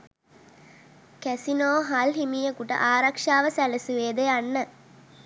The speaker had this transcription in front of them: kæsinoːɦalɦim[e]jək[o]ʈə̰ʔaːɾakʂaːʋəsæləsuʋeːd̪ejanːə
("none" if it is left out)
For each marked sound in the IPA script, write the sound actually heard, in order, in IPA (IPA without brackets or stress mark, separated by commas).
i, u